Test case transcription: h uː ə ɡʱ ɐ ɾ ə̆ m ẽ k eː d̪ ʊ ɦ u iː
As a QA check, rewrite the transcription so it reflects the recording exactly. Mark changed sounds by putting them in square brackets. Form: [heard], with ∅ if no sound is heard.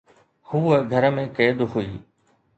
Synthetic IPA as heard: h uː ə ɡʱ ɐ ɾ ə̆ m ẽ k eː d̪ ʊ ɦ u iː